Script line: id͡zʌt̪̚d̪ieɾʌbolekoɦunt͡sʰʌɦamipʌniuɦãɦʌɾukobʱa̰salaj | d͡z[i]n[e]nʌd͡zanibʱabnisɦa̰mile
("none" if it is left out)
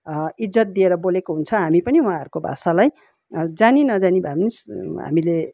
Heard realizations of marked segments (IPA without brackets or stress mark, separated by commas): a, i